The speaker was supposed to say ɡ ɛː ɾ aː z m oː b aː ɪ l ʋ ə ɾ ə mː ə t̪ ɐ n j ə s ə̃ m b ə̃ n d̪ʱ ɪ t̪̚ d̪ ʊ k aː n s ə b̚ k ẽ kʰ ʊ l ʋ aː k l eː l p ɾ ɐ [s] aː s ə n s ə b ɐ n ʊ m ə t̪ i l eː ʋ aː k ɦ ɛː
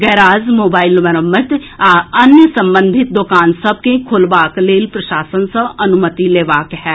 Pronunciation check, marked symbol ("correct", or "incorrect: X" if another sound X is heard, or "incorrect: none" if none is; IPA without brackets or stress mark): incorrect: ʃ